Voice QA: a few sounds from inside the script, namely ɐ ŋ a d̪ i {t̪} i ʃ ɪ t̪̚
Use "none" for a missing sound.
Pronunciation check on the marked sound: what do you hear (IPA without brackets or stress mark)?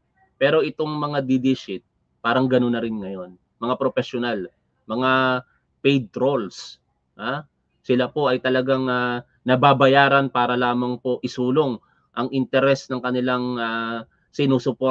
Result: d̪